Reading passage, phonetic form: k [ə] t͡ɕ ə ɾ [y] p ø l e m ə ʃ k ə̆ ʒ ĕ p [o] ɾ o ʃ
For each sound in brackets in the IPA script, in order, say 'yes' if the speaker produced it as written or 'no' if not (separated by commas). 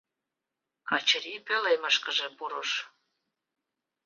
no, no, no